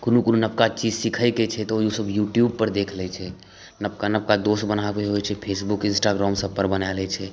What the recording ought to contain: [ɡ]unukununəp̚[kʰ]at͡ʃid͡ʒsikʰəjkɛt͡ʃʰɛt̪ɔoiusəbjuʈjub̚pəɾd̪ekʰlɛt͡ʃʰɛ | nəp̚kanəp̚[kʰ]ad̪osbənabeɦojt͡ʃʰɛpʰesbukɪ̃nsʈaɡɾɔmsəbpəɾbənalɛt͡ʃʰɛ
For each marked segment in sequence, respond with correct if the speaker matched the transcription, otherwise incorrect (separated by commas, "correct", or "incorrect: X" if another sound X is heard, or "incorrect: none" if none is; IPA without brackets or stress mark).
incorrect: k, incorrect: k, incorrect: k